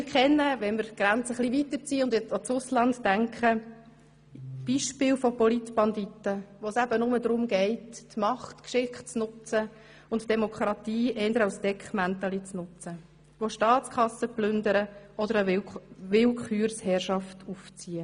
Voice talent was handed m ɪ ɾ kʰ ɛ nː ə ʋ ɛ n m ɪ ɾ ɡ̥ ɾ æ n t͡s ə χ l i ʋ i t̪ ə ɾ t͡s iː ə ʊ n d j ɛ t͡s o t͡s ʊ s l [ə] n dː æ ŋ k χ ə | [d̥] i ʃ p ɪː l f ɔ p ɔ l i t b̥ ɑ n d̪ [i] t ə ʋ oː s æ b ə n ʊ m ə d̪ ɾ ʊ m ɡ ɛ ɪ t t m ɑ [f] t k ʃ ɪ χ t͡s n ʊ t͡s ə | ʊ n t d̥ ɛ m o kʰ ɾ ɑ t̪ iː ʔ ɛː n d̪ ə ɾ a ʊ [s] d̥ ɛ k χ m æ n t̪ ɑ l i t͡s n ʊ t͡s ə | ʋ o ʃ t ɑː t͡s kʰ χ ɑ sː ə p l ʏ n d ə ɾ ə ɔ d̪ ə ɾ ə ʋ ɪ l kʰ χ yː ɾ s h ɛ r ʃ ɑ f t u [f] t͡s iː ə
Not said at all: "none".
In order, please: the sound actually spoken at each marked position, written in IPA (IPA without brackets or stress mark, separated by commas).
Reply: ɑ, b̥, i, χ, s, f